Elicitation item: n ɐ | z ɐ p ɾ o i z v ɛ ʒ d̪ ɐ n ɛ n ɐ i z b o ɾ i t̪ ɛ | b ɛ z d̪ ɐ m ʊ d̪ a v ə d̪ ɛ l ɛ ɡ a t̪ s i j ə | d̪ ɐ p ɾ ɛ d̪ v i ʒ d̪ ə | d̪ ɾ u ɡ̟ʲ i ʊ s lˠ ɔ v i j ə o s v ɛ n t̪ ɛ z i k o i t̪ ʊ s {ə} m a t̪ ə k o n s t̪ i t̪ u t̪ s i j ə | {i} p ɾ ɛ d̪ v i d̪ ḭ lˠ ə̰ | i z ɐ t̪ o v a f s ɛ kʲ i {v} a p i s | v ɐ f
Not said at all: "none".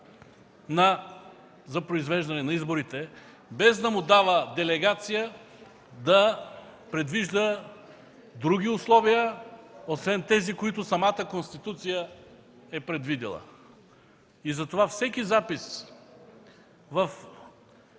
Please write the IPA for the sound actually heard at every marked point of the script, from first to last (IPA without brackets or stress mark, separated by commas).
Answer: ɐ, ɛ, z